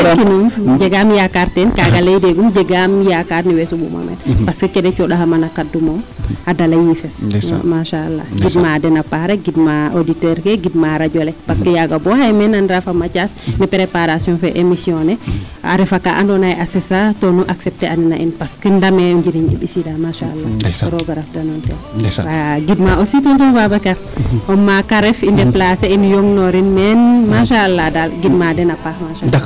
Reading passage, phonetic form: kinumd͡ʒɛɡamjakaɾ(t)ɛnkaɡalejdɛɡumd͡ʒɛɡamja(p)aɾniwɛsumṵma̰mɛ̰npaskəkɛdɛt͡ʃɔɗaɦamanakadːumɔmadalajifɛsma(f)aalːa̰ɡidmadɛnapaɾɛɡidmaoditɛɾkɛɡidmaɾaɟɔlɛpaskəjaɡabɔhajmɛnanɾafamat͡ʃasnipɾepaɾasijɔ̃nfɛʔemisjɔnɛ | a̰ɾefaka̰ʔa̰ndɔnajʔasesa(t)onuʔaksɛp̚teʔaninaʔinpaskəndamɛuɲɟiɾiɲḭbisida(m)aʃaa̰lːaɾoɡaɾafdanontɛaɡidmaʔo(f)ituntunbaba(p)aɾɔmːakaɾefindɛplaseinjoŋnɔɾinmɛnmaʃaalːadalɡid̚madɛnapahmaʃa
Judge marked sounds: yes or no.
yes, no, no, yes, yes, no, no

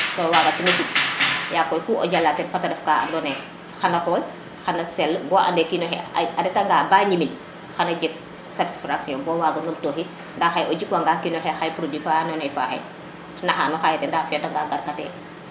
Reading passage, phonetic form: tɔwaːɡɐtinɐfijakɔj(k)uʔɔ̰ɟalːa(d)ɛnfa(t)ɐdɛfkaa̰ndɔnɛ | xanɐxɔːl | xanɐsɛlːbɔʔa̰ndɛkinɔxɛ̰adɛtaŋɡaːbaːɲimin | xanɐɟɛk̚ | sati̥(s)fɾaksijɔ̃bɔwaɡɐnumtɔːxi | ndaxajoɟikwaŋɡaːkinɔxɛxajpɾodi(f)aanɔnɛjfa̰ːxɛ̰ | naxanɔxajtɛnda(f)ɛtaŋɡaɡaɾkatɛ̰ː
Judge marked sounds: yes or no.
yes, no, yes, yes, yes, yes

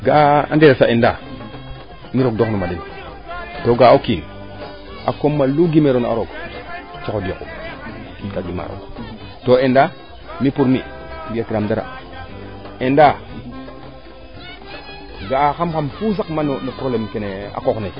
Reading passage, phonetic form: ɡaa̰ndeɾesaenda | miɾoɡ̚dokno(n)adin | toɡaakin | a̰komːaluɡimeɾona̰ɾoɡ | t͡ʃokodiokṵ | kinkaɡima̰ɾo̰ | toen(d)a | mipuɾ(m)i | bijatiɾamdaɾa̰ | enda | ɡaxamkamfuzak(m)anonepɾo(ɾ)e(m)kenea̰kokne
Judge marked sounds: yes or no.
no, yes, yes, yes, no, yes

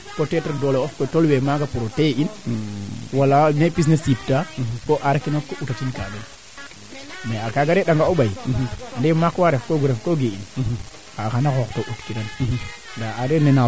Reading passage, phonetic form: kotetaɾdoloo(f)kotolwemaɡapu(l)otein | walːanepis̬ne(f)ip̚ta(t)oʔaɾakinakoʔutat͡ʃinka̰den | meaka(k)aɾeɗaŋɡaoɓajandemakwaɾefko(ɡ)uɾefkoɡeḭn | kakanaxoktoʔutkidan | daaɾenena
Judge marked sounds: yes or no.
yes, no, no, no, no, yes

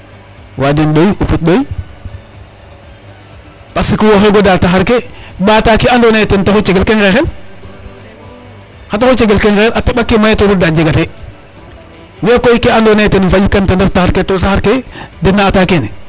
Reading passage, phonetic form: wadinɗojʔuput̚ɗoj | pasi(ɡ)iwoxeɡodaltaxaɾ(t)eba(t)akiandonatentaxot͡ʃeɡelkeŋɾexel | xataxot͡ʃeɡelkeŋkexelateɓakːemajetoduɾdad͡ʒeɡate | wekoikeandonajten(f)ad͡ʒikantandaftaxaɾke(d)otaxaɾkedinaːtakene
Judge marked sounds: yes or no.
no, no, yes, yes, no

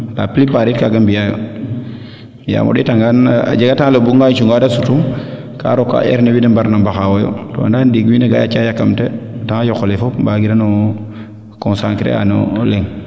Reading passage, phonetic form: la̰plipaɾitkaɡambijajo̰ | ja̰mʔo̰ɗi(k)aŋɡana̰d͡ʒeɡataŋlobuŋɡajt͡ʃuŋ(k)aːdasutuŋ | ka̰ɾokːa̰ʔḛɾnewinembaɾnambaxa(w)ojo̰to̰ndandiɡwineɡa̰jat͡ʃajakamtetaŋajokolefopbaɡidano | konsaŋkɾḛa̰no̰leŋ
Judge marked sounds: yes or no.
no, no, yes

